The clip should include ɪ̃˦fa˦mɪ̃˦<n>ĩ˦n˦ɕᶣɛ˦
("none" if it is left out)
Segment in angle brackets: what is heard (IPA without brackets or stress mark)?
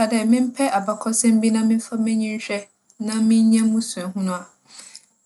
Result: ɲ